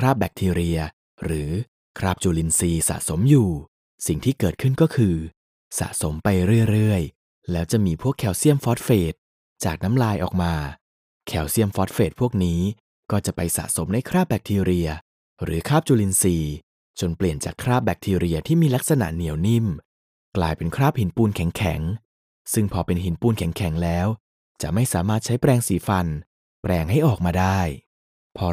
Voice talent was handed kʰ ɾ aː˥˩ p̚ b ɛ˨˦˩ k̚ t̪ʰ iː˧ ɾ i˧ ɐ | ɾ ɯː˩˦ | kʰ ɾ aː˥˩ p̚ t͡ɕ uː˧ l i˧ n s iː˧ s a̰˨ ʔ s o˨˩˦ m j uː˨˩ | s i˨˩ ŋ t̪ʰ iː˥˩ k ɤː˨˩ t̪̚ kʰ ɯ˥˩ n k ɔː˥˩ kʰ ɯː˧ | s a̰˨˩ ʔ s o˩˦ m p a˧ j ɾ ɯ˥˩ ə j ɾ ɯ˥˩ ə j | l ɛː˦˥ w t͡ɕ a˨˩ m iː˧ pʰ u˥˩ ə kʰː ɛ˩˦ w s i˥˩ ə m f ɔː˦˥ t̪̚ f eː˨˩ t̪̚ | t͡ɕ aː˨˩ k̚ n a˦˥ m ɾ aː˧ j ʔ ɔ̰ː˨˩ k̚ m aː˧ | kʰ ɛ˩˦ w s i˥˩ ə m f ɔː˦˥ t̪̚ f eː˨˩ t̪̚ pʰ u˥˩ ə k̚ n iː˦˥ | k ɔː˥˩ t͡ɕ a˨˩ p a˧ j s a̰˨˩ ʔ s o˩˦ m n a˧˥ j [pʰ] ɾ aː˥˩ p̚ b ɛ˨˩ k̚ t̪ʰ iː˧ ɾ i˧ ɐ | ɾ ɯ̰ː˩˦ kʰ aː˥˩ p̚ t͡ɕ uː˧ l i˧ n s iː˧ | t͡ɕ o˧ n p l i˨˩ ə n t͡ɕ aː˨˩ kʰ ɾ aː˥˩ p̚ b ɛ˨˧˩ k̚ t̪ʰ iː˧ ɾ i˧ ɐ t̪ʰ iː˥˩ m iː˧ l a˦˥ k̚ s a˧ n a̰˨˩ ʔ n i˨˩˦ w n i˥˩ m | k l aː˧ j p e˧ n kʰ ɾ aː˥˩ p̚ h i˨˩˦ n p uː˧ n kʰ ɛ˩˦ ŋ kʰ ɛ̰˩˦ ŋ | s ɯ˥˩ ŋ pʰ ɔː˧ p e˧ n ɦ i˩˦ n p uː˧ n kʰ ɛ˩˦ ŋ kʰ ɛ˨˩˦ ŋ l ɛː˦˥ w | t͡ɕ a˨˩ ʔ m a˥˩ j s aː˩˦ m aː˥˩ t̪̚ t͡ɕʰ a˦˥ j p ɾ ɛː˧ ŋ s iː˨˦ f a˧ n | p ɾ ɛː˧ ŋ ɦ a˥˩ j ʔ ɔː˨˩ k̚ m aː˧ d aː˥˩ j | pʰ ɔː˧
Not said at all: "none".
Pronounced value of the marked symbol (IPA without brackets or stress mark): kʰ